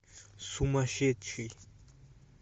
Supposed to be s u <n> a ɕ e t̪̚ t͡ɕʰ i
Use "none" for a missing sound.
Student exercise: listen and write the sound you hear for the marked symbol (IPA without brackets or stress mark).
m